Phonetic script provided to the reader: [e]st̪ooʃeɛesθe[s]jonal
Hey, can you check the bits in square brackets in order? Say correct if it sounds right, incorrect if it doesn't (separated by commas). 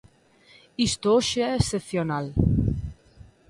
incorrect, incorrect